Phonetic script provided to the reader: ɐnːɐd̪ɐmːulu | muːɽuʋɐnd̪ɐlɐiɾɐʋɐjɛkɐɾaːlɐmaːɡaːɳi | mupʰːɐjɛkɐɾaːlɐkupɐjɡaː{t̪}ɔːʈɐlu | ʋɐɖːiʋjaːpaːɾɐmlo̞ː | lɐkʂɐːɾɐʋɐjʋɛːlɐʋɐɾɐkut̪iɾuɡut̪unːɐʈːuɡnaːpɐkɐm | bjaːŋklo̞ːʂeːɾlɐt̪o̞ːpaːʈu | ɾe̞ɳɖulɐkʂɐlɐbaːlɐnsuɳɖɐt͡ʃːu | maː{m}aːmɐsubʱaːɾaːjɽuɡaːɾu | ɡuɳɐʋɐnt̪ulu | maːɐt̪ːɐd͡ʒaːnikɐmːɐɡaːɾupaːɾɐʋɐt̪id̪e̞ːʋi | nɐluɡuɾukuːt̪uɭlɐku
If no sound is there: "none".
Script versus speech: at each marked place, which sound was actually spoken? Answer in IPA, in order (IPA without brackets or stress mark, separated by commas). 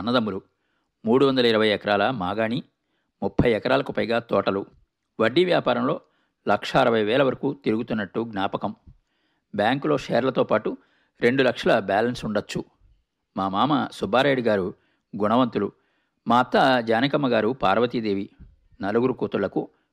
t̪, m